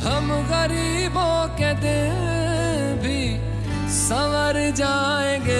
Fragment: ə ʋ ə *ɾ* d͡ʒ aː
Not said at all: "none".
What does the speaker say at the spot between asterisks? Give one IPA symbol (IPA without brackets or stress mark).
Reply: ɾ